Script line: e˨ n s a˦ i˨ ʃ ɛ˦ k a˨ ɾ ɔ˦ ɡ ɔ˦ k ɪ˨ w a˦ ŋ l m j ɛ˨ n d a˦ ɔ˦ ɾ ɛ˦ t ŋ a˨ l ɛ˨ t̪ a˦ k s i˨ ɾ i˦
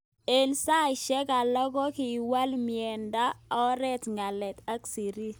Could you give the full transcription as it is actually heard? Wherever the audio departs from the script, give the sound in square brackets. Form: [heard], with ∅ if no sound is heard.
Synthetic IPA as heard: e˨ n s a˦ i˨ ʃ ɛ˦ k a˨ [l] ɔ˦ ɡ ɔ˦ k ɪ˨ w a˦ [∅] l m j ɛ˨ n d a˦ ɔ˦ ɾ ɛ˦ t ŋ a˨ l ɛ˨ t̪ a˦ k s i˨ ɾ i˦